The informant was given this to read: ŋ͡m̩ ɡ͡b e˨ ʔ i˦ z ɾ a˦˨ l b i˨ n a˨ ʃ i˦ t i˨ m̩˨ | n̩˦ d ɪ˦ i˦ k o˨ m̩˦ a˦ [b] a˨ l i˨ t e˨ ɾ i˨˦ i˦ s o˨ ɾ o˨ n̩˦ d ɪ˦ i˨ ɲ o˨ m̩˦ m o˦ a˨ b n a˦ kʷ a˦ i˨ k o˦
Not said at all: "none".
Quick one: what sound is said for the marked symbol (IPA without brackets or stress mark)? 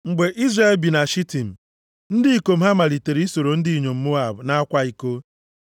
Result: m